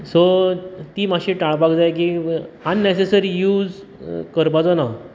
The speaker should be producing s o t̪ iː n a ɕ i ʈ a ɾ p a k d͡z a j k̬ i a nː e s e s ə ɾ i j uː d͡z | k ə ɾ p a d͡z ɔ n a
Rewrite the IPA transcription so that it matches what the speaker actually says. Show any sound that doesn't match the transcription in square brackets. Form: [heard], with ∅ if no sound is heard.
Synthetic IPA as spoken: s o t̪ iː [m] a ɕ i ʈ a [ɭ] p a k d͡z a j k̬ i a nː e s e s ə ɾ i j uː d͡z | k ə ɾ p a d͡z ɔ n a